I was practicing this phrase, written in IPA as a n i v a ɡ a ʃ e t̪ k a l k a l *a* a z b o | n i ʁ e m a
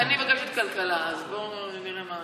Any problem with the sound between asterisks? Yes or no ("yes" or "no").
no